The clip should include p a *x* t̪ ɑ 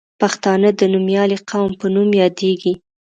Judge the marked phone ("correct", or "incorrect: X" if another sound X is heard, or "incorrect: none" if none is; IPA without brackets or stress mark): correct